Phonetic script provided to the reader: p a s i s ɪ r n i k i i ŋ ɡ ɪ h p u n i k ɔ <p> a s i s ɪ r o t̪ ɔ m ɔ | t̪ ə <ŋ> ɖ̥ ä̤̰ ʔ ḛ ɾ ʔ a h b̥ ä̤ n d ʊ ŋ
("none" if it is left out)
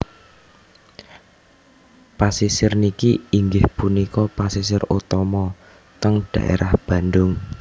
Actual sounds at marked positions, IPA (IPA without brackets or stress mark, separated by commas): p, ŋ